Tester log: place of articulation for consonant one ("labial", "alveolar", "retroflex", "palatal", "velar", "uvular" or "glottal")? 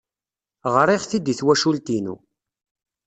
uvular